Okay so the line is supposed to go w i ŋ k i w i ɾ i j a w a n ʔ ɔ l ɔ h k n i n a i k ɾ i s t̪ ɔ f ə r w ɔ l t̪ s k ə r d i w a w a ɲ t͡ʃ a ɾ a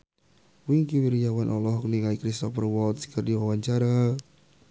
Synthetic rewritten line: w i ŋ k i w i ɾ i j a w a n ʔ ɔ l ɔ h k n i ŋ a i k ɾ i s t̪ ɔ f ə r w ɔ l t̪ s k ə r d i w a w a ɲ t͡ʃ a ɾ a